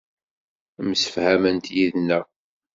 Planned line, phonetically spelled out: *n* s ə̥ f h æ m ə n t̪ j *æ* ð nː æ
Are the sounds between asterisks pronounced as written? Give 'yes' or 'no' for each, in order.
no, no

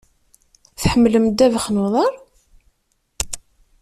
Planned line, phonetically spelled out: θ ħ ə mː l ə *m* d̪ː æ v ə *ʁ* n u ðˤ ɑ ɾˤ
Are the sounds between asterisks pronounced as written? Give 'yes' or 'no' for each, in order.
yes, no

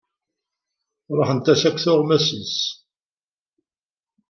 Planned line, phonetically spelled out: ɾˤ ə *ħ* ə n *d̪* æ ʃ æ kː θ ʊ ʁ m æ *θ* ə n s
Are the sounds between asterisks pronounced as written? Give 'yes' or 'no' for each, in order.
yes, no, no

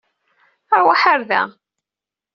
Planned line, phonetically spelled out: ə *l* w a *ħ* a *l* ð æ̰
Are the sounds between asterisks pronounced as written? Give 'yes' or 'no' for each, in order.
no, yes, no

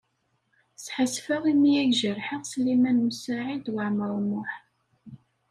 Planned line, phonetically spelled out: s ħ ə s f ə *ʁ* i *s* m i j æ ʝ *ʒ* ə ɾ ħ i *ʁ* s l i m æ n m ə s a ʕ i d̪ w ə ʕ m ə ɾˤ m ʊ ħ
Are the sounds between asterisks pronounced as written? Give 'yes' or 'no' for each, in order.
yes, no, yes, yes

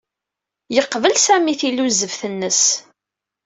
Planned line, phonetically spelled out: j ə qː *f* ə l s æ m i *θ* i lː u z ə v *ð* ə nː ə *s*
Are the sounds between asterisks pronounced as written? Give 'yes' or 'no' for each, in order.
no, yes, no, yes

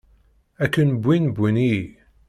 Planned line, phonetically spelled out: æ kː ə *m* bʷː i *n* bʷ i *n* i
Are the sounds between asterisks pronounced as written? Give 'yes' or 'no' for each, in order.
no, yes, yes

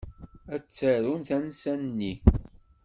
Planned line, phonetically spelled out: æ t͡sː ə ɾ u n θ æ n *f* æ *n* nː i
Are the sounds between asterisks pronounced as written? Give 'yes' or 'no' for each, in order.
no, yes

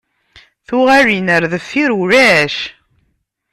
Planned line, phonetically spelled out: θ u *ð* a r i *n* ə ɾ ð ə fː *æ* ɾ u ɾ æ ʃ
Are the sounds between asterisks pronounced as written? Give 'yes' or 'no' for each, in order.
no, yes, no

